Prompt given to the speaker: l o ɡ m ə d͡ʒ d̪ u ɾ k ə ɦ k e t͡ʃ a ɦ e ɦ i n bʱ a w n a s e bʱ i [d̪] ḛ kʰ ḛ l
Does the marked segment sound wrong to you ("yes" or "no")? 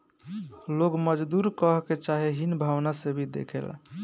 no